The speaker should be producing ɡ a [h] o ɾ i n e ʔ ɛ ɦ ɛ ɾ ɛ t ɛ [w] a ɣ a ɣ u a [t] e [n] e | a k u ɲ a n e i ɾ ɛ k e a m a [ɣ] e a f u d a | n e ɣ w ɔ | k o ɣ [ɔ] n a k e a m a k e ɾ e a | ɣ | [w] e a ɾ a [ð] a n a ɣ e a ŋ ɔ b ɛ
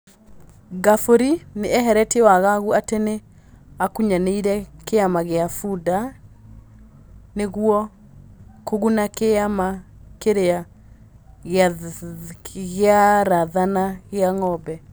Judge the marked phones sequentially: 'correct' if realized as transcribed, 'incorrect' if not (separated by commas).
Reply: incorrect, correct, correct, correct, correct, incorrect, incorrect, correct